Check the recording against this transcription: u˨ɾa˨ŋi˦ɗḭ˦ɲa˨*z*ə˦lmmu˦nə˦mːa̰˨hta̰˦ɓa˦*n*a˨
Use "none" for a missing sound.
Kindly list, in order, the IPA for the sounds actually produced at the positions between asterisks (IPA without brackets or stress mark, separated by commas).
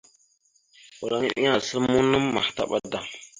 s, d